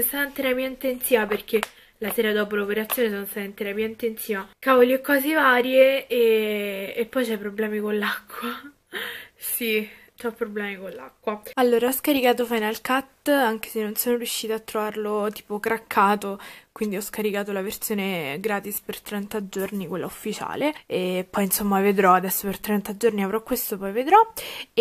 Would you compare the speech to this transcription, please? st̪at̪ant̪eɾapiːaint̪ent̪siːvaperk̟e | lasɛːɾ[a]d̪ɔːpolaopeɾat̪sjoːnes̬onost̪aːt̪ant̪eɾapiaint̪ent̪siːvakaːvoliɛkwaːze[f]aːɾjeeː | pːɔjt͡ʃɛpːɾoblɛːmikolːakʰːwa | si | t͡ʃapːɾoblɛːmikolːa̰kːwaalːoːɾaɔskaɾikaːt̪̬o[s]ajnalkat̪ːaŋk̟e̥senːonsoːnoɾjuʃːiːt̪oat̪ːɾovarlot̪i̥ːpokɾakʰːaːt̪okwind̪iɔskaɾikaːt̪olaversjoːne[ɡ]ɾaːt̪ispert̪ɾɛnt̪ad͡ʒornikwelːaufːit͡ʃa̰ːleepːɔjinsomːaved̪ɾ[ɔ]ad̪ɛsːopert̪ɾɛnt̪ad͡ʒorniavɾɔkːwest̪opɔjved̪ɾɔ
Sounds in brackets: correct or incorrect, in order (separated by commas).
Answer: correct, incorrect, incorrect, correct, correct